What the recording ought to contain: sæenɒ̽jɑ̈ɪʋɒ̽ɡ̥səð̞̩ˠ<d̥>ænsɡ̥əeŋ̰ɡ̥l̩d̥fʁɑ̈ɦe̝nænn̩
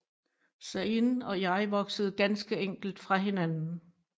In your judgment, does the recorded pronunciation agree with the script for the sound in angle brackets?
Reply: no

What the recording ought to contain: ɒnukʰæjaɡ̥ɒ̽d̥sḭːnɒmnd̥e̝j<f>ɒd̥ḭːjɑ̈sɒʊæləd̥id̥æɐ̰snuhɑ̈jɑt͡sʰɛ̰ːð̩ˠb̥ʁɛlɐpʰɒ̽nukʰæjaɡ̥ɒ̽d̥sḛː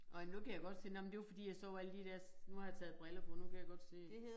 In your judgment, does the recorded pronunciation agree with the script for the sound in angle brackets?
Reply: yes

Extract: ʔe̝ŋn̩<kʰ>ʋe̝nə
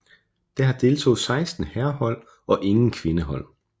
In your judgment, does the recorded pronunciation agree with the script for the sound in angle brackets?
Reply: yes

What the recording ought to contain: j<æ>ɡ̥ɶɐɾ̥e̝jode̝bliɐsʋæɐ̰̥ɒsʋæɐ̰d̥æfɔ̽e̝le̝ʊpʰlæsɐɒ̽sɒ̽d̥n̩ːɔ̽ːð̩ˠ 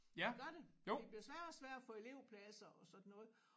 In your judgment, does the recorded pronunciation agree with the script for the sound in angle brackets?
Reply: yes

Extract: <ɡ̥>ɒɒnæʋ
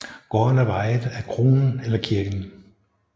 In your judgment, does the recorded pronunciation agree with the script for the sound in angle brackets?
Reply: yes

